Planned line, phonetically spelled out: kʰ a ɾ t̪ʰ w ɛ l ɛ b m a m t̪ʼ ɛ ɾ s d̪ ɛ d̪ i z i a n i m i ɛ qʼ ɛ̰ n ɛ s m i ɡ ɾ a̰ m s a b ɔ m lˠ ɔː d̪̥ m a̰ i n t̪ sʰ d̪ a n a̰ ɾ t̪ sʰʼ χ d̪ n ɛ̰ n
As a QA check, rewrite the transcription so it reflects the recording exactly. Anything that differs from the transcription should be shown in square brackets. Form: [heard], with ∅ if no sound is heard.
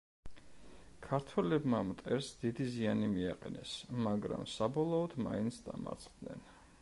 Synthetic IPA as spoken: kʰ a ɾ t̪ʰ w ɛ l ɛ b m a m t̪ʼ ɛ ɾ s d̪ [i] d̪ i z i a n i m i [a] qʼ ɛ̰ n ɛ s m [a] ɡ ɾ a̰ m s a b ɔ [∅] lˠ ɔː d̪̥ m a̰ i n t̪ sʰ d̪ a [m] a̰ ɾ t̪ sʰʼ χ d̪ n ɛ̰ n